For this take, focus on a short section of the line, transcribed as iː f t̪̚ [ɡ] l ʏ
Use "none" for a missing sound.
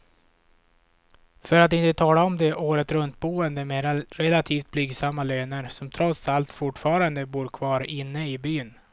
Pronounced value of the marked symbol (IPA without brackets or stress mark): b